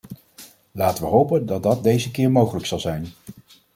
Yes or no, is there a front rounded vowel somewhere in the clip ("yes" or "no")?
no